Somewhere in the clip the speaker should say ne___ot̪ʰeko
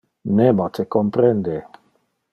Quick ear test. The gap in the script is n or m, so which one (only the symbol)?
m